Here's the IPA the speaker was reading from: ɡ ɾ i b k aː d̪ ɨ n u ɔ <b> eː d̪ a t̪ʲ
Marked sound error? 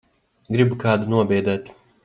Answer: no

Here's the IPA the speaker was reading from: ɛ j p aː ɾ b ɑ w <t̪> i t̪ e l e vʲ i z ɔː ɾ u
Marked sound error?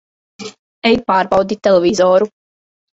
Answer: yes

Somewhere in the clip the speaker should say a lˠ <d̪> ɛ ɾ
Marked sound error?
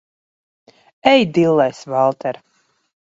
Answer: yes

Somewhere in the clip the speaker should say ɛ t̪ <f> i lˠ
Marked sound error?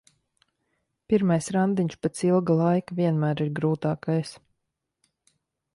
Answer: yes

